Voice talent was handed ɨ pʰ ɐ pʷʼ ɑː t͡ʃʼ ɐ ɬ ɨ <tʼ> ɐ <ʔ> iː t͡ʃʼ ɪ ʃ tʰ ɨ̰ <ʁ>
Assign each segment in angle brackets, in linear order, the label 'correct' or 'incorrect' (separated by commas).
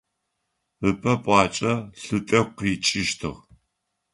correct, incorrect, correct